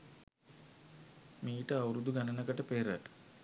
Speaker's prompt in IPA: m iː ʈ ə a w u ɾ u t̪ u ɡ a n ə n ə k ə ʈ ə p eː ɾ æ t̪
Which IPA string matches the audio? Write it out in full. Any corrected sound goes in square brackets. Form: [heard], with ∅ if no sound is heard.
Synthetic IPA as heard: m iː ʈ ə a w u ɾ u [d̪] u ɡ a n ə n ə k ə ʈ ə p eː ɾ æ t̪